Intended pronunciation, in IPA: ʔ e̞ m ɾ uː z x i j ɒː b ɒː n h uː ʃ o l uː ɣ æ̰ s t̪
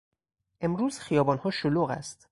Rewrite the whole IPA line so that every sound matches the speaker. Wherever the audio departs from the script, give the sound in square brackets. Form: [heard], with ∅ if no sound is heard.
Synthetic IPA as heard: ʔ e̞ m ɾ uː z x i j ɒː b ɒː n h [ɒː] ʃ o l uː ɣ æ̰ s t̪